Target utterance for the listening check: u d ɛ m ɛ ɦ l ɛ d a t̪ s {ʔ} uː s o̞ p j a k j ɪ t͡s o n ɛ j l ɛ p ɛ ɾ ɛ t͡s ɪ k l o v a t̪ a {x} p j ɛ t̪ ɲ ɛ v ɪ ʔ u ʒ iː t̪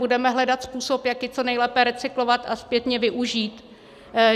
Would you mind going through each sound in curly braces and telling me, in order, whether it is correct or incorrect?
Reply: incorrect: p, incorrect: s

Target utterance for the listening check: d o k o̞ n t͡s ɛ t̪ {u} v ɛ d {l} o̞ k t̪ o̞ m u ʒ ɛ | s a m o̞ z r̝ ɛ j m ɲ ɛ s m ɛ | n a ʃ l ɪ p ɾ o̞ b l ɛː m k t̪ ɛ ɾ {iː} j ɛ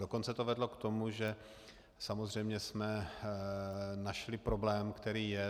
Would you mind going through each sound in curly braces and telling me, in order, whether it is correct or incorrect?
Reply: incorrect: o, correct, correct

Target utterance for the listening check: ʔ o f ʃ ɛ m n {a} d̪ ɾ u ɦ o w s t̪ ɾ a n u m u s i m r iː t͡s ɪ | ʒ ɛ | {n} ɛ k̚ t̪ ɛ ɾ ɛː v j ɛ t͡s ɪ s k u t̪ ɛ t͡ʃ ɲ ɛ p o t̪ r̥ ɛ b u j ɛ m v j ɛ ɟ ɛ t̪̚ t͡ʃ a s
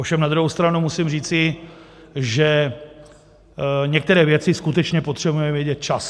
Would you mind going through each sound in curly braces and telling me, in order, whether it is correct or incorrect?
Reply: correct, incorrect: ɲ

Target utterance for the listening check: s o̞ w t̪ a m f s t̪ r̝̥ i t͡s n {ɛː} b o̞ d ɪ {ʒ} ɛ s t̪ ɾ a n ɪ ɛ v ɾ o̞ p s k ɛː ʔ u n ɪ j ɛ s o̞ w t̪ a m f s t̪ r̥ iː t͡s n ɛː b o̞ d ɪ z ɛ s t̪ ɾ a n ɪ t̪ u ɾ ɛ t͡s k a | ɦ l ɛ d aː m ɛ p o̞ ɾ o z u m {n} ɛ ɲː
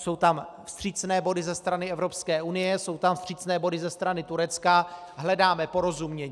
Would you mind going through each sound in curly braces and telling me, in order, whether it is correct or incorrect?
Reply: correct, incorrect: z, incorrect: ɲ

